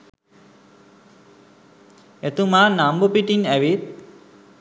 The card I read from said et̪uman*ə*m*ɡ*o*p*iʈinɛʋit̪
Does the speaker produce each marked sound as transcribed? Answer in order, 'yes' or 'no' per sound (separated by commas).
no, no, yes